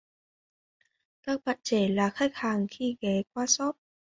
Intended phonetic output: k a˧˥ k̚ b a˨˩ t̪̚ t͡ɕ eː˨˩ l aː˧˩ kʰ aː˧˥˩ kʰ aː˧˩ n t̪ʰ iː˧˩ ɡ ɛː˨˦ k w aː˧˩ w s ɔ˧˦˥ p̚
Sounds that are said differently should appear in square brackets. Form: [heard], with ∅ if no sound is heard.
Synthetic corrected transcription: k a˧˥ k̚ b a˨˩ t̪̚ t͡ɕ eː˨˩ l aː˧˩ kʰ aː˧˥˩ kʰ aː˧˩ [ŋ] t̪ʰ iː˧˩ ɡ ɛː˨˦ k w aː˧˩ [∅] s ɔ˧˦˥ p̚